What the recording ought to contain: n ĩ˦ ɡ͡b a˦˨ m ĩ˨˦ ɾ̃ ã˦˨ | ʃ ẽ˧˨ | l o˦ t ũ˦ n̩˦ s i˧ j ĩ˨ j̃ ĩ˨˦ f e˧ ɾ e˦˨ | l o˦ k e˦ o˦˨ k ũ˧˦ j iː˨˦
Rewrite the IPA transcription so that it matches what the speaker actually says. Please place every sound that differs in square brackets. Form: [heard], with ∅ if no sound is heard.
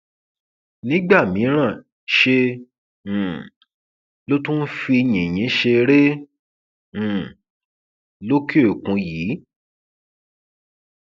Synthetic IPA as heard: n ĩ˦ ɡ͡b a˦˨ m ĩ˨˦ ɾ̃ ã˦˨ | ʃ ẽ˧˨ | l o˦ t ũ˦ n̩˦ [f] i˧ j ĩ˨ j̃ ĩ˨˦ [ʃ] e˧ ɾ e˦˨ | l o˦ k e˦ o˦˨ k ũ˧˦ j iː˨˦